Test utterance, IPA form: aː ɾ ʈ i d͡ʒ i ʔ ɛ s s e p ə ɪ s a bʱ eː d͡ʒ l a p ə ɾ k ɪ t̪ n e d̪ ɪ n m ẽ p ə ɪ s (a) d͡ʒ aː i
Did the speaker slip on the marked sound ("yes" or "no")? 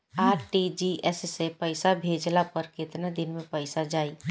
no